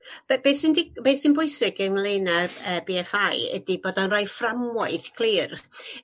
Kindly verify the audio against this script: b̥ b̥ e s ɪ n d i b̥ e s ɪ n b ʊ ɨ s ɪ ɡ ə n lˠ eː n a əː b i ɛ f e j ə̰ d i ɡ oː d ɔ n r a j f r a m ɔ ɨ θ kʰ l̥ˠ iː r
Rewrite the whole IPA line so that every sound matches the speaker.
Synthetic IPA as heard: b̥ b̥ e s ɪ n d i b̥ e s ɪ n b ʊ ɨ s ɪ ɡ ə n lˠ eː n a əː b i ɛ f a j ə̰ d i b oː d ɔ n r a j f r a m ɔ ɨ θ kʰ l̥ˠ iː r